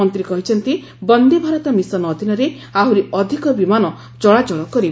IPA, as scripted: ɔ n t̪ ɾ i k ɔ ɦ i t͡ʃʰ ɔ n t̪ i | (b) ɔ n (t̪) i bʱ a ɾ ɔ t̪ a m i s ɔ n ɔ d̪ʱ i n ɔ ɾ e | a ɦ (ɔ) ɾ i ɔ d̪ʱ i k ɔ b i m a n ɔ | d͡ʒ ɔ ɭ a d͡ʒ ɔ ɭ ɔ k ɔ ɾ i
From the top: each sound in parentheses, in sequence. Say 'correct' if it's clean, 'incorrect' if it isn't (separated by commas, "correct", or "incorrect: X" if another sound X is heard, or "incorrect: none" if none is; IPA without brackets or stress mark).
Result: correct, incorrect: d̪, incorrect: u